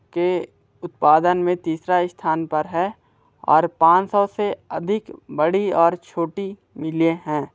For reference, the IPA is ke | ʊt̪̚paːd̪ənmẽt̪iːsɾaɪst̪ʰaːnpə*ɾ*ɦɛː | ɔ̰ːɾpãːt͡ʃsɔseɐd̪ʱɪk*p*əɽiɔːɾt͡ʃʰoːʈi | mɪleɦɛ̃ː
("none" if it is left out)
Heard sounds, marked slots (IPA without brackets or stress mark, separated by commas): ɾ, b